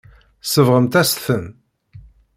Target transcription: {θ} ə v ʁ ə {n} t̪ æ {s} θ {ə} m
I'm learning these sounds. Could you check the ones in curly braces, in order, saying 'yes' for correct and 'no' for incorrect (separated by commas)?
no, no, yes, yes